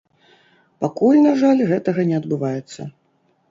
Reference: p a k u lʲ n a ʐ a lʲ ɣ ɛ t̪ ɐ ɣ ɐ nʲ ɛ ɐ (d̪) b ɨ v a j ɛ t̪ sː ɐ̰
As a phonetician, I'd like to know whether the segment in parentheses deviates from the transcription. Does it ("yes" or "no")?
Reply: no